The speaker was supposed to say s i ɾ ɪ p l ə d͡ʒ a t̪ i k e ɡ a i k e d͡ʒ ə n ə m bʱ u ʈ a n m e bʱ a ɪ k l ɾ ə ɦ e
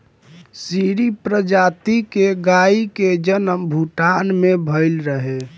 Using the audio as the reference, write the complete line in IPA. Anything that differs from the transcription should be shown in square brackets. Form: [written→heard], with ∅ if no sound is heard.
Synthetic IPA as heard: s i ɾ [ɪ→i] p [l→ɾ] ə d͡ʒ a t̪ i k e ɡ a i k e d͡ʒ ə n ə m bʱ u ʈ a n m e bʱ [a→ə] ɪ [k→∅] l ɾ ə ɦ e

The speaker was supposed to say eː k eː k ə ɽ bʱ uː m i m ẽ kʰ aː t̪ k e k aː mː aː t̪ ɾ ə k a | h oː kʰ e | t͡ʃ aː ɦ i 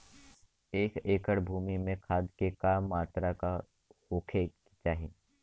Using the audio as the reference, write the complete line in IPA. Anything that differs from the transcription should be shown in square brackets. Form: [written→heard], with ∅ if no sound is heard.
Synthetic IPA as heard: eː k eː k ə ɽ bʱ uː m i m ẽ kʰ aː [t̪→d̪] k e k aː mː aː t̪ ɾ [ə→a] k a | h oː kʰ e | t͡ʃ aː ɦ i

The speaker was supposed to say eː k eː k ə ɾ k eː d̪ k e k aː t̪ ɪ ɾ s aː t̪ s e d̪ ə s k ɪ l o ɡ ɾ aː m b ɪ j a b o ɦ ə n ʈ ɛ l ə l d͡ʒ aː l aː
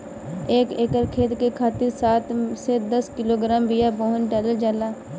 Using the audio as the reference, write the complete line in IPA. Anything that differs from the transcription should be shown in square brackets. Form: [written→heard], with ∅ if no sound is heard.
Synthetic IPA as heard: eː k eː k ə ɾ [k→kʰ] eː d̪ k e [k→kʰ] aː t̪ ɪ ɾ s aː t̪ s e d̪ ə s k ɪ l o ɡ ɾ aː m b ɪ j a b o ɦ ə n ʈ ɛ l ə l d͡ʒ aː l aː

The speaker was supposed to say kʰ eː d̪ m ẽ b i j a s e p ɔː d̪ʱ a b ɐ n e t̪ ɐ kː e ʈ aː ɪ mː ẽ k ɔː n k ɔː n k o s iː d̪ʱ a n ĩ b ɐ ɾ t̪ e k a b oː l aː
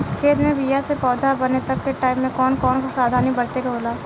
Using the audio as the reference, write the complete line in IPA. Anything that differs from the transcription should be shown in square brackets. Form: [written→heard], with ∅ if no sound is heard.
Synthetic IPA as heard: kʰ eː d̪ m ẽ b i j a s e p ɔː d̪ʱ a b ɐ n e t̪ ɐ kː e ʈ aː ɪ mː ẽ k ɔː n k ɔː n k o s [iː→aː] d̪ʱ a n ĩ b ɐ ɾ t̪ e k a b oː l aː

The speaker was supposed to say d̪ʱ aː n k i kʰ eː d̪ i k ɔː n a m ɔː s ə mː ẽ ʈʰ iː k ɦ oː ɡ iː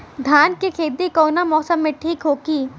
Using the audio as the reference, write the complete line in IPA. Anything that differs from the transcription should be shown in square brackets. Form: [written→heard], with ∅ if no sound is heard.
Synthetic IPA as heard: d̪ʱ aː n k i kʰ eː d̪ i k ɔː n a m ɔː s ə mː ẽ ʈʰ iː k ɦ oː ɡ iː

